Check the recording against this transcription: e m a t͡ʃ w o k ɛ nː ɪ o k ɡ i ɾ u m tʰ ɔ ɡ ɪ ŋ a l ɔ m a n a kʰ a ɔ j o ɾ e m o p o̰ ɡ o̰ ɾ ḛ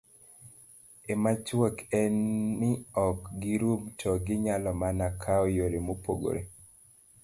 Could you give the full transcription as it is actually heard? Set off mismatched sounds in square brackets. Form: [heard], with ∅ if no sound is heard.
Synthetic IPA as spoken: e m a t͡ʃ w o k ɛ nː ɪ [ɔ] k ɡ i ɾ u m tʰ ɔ ɡ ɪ [ɲ] a l ɔ m a n a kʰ a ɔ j o ɾ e m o p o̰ ɡ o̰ ɾ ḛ